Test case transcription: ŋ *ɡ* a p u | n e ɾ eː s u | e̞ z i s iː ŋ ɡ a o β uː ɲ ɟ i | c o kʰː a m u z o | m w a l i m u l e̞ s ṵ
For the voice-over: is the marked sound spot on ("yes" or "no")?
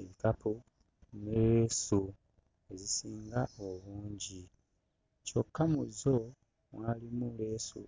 no